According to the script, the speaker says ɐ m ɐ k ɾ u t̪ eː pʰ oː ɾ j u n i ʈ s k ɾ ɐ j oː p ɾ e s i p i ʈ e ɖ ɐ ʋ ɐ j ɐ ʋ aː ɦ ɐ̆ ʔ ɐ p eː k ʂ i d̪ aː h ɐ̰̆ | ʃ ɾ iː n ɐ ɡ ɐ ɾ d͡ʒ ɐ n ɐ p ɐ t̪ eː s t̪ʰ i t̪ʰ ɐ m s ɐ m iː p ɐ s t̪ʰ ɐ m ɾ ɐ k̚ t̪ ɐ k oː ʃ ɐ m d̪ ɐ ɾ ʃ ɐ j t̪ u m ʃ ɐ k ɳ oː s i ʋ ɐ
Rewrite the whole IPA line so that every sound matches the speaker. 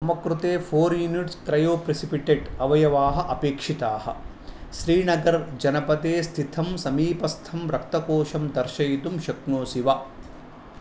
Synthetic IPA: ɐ m ɐ k ɾ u t̪ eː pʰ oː ɾ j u n i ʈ s k ɾ ɐ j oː p ɾ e s i p i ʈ e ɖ ɐ ʋ ɐ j ɐ ʋ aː ɦ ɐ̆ ʔ ɐ p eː k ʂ i t̪ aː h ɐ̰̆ | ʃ ɾ iː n ɐ ɡ ɐ ɾ d͡ʒ ɐ n ɐ p ɐ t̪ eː s t̪ʰ i t̪ʰ ɐ m s ɐ m iː p ɐ s t̪ʰ ɐ m ɾ ɐ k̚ t̪ ɐ k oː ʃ ɐ m d̪ ɐ ɾ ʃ ɐ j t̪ u m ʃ ɐ k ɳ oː s i ʋ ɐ